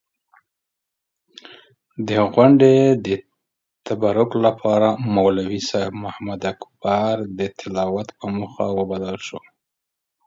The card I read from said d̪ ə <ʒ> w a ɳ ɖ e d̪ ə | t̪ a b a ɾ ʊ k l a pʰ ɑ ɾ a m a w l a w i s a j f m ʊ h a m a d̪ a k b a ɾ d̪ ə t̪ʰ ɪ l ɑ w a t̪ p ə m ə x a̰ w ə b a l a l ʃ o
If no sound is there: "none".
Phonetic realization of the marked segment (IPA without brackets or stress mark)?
ɣ